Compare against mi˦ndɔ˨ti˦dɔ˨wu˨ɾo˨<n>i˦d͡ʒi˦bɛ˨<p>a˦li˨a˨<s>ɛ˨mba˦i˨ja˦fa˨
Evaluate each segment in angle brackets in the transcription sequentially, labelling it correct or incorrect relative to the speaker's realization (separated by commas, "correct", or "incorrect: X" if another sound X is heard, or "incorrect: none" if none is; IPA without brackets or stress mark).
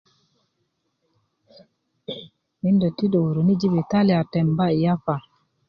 correct, incorrect: t, incorrect: t